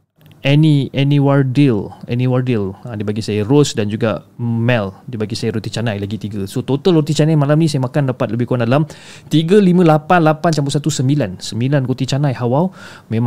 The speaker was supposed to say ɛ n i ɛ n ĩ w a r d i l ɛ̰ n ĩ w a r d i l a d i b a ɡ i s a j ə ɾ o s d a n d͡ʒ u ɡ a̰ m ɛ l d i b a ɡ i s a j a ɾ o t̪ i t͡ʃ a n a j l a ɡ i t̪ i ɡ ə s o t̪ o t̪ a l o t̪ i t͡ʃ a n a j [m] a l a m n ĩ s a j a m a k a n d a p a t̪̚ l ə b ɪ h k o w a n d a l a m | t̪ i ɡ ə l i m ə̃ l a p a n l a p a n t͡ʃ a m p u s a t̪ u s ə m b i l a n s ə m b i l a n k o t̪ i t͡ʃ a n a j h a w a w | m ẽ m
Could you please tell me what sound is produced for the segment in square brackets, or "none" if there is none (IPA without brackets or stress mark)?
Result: m